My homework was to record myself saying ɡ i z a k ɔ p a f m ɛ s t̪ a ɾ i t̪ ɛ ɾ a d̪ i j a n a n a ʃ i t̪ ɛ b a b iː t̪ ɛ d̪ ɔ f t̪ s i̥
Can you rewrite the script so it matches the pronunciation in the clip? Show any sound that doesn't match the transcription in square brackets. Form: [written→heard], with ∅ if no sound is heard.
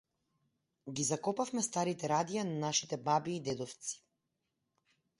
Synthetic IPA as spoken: ɡ i z a k ɔ p a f m ɛ s t̪ a ɾ i t̪ ɛ ɾ a d̪ i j a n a n a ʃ i t̪ ɛ b a b iː [t̪→d̪] ɛ d̪ ɔ f t̪ s i̥